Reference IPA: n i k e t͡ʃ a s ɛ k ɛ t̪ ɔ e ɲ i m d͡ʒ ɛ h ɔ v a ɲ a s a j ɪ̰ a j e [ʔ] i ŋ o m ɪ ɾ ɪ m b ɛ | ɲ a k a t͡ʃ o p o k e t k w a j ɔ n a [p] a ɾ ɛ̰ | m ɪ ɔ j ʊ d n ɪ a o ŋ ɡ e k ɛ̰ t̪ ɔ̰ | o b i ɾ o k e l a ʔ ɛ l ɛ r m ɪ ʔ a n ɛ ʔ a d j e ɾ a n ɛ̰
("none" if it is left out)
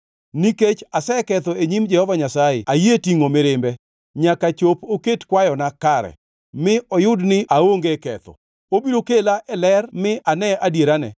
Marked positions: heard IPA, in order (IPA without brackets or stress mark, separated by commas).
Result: t, k